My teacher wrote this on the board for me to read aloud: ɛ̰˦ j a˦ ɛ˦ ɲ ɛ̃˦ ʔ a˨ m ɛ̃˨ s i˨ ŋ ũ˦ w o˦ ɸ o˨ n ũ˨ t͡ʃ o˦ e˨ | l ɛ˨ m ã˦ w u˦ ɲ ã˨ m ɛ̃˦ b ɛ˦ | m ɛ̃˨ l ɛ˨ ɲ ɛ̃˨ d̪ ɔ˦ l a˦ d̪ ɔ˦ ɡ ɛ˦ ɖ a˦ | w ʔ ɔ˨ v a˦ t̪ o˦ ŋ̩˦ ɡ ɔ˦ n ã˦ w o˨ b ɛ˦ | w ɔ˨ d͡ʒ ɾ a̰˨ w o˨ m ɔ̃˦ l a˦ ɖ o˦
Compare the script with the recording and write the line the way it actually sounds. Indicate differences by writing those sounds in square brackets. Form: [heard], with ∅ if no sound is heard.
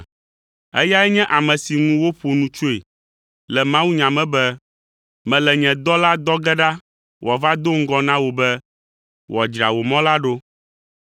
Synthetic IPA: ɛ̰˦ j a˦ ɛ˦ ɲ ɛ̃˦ ʔ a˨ m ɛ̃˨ s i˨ ŋ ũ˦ w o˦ ɸ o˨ n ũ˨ t͡ʃ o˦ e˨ | l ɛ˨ m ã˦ w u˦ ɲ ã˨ m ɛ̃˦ b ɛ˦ | m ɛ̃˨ l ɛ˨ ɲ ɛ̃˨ d̪ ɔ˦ l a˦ d̪ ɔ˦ ɡ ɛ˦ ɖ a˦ | w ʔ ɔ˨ v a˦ [d̪] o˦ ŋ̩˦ ɡ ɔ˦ n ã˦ w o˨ b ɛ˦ | w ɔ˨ d͡ʒ ɾ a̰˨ w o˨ m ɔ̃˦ l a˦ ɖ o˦